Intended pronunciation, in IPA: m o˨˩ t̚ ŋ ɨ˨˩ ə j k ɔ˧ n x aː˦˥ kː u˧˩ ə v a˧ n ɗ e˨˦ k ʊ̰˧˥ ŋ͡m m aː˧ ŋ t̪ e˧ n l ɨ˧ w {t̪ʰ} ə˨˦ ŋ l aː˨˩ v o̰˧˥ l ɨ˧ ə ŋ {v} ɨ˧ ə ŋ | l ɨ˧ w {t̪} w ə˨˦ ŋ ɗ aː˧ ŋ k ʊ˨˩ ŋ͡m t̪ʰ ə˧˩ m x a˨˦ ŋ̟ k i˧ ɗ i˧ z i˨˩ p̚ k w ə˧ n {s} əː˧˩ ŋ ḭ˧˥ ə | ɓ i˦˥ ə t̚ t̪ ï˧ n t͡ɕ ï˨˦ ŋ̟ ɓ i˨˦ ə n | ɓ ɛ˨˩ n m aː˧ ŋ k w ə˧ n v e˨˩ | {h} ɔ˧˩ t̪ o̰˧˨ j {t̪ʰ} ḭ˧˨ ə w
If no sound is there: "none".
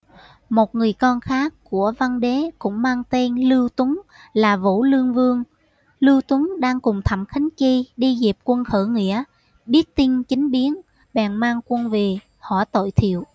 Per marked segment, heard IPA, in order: t̪, v, t̪, x, h, t̪ʰ

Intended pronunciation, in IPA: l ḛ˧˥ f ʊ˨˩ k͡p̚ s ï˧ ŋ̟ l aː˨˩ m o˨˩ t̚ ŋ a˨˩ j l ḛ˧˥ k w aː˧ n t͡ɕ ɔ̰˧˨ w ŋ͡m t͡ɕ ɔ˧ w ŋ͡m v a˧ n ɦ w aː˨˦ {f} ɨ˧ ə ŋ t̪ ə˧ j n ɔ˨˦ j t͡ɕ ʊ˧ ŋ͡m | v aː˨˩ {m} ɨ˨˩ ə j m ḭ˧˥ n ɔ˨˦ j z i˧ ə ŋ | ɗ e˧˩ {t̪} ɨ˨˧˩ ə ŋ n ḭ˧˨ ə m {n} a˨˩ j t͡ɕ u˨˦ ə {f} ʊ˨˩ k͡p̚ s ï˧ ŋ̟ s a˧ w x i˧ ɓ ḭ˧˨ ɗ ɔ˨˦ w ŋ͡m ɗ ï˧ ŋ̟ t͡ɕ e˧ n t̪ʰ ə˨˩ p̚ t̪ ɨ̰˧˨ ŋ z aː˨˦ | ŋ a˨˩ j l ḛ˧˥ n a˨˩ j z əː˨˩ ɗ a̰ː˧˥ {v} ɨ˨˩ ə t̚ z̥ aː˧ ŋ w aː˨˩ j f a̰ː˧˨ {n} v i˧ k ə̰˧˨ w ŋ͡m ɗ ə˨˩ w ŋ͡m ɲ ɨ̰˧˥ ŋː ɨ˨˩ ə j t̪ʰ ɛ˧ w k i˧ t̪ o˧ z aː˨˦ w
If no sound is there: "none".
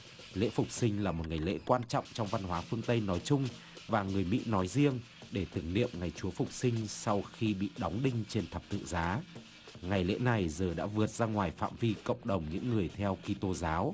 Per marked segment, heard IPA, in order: f, ŋ, t̪, ŋ, f, v, m

